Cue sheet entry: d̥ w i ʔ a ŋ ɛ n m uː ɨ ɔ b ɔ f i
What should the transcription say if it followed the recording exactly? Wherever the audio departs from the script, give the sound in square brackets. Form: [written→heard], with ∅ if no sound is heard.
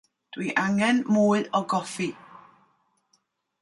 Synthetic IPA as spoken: d̥ w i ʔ a ŋ ɛ n m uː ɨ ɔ [b→ɡ] ɔ f i